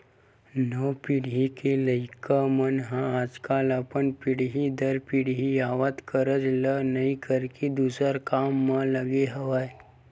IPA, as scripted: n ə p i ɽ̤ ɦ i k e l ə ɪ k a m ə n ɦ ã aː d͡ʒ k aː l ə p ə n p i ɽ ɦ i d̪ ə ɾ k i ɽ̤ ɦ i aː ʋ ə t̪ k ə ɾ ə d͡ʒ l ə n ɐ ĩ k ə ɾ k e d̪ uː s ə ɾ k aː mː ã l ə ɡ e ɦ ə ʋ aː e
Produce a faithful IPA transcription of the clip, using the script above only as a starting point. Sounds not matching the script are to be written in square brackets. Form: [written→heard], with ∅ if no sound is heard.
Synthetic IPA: n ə p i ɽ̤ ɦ i k e l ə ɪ k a m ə n ɦ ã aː d͡ʒ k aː l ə p ə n p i ɽ ɦ i d̪ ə ɾ [k→p] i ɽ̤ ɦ i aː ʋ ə t̪ k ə ɾ ə d͡ʒ l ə n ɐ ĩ k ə ɾ k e d̪ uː s ə ɾ k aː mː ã l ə ɡ e ɦ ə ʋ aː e